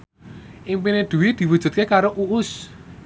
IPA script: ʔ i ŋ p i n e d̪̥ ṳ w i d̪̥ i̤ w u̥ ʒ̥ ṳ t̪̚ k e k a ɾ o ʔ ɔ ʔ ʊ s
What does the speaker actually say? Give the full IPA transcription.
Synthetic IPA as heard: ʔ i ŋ p i n e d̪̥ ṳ w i d̪̥ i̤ w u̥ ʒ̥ ṳ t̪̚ k e k a ɾ o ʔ u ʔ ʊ s